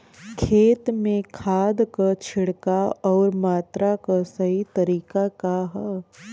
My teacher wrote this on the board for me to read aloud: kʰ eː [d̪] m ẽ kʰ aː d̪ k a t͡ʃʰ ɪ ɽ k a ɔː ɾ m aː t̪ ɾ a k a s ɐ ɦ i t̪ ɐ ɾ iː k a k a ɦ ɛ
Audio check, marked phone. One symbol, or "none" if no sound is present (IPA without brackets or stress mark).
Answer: t̪